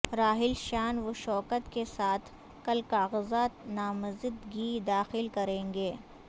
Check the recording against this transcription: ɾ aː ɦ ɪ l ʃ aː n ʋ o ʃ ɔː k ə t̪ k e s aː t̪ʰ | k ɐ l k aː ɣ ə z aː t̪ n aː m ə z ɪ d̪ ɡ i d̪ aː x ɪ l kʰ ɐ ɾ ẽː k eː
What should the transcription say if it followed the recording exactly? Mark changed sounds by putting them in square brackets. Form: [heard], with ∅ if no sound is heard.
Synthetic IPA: ɾ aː ɦ ɪ l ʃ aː n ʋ o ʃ ɔː k ə t̪ k e s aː t̪ʰ | k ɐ l k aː ɣ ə z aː t̪ n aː m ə z ɪ d̪ ɡ i d̪ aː x ɪ l [k] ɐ ɾ ẽː [ɡ] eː